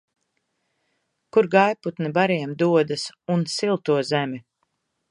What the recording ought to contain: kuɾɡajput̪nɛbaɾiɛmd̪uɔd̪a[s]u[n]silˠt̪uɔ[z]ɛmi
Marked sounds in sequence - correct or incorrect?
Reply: correct, correct, correct

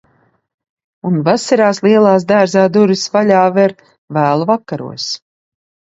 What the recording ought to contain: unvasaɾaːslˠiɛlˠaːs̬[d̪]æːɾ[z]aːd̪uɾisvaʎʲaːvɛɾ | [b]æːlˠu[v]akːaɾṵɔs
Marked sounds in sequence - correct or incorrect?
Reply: correct, correct, incorrect: v, correct

